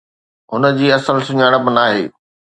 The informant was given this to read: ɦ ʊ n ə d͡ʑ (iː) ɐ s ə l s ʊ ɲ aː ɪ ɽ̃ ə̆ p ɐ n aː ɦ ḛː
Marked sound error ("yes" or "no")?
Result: no